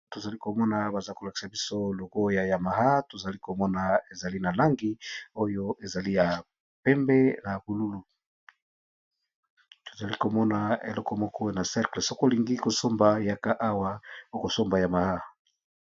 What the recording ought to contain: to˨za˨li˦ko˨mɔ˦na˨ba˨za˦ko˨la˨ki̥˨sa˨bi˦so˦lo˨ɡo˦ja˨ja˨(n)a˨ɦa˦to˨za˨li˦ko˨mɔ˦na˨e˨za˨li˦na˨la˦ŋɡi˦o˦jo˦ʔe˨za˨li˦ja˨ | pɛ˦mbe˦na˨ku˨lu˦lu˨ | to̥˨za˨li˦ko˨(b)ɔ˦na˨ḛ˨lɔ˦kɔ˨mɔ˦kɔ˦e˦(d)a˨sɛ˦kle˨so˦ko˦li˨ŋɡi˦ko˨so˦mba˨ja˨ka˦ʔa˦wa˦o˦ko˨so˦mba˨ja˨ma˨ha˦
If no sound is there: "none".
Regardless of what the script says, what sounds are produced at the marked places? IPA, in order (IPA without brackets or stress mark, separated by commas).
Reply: m, m, n